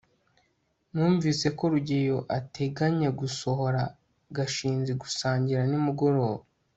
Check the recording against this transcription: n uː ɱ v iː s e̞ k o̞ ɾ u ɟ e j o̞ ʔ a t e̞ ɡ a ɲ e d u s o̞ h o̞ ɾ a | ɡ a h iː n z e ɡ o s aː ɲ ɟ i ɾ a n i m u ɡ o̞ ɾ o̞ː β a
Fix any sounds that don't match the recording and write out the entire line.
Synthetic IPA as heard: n uː ɱ v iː s e̞ k o̞ ɾ u ɟ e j o̞ ʔ a t e̞ ɡ a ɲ e ɡ u s o̞ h o̞ ɾ a | ɡ a ʃ iː n z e ɡ u s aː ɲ ɟ i ɾ a n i m u ɡ o̞ ɾ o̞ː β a